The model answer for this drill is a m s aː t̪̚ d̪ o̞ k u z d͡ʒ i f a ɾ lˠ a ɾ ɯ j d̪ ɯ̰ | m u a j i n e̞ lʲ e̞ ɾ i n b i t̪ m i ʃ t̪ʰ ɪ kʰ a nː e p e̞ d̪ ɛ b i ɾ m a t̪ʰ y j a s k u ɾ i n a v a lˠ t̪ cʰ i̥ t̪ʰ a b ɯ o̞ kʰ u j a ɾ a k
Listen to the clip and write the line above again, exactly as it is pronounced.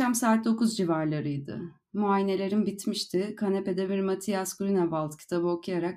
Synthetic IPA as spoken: a m s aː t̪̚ d̪ o̞ k u z d͡ʒ i v a ɾ lˠ a ɾ ɯ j d̪ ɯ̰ | m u a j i n e̞ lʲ e̞ ɾ i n b i t̪ m i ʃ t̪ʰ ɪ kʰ a n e p e̞ d̪ ɛ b i ɾ m a t̪ʰ i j a s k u ɾ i n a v a lˠ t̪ cʰ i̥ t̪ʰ a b ɯ o̞ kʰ u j a ɾ a k